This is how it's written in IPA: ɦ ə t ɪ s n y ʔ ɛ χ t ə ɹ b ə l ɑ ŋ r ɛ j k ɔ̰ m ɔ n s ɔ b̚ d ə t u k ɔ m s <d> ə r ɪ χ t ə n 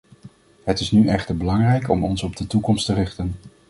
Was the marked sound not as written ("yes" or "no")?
yes